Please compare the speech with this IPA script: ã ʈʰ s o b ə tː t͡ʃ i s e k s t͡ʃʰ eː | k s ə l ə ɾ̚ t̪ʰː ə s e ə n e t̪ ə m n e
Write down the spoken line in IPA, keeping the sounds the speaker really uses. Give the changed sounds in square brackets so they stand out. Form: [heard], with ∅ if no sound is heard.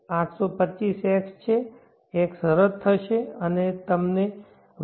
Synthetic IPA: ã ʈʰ s o [p] ə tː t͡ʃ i s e k s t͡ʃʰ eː | k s ə [ɾ] ə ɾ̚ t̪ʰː ə [ʃ] e ə n e t̪ ə m n e